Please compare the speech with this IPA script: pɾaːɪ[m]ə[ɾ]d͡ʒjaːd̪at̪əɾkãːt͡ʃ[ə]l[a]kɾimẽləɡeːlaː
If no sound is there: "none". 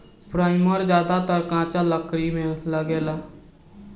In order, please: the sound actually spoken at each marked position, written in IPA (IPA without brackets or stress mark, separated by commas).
m, ɾ, a, ə